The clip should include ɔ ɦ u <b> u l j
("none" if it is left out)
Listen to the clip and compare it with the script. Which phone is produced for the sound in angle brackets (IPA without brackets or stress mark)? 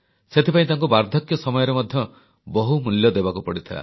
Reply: m